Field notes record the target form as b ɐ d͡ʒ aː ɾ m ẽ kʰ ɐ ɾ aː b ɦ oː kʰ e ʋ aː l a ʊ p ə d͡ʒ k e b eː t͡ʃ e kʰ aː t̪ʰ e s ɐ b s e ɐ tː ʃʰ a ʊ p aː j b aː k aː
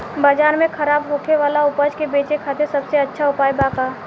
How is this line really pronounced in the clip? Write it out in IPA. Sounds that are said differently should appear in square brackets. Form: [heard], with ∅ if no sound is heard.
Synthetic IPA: b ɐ d͡ʒ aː ɾ m ẽ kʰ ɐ ɾ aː b ɦ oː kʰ e ʋ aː l a ʊ p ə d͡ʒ k e b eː t͡ʃ e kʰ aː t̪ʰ e s ɐ b s e ɐ tː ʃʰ a ʊ p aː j b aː k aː